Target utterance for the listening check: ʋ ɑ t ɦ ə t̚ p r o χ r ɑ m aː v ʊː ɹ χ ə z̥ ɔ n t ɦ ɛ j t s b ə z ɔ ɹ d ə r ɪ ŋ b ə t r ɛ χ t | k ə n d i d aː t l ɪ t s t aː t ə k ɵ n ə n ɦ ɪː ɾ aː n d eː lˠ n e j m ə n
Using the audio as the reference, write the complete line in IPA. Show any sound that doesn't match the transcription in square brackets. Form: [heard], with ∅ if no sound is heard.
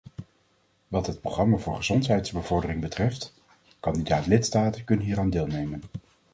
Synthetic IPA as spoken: ʋ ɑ t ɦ ə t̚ p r o χ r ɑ m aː v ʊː ɹ χ ə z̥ ɔ n t ɦ ɛ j t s b ə [v] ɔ ɹ d ə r ɪ ŋ b ə t r ɛ [f] t | k [ɑ] n d i d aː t l ɪ t s t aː t ə k ɵ n ə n ɦ [iː] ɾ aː n d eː lˠ n e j m ə n